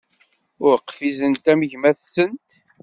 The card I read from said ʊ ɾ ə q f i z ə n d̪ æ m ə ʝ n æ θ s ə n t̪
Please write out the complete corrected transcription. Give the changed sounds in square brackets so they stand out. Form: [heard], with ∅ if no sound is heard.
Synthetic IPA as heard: ʊ ɾ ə q f i z ə n [t̪] æ m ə ʝ [m] æ θ s ə n t̪